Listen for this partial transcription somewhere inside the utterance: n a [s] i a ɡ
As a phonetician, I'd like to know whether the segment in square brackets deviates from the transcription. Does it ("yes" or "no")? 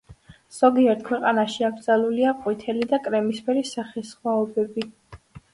yes